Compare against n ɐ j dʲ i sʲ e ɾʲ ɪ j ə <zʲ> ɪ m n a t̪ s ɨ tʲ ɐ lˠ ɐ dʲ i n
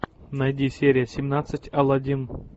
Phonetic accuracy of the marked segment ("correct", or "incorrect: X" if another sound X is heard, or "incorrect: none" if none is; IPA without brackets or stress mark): incorrect: sʲ